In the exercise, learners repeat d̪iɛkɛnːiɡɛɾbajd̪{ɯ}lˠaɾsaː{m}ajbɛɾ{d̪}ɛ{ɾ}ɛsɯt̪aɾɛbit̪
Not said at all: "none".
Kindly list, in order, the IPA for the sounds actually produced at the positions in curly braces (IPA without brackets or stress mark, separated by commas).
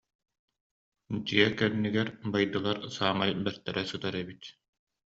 ɯ, m, t̪, ɾ